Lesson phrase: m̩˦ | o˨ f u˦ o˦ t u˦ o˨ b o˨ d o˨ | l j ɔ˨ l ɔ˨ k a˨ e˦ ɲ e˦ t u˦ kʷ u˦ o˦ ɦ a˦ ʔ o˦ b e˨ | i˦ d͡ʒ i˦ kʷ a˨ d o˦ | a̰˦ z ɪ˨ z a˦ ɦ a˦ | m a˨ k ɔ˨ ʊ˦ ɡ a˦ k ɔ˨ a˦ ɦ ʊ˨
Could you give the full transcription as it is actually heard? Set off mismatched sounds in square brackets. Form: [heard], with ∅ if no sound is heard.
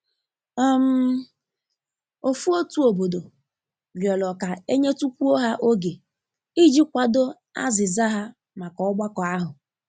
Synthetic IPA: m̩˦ | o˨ f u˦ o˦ t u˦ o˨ b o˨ d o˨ | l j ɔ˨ l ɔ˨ k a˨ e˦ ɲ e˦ t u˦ kʷ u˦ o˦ ɦ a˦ ʔ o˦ [ɡ] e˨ | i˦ d͡ʒ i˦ kʷ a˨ d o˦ | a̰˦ z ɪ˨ z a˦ ɦ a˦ | m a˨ k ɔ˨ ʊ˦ [ɡ͡b] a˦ k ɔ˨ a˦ ɦ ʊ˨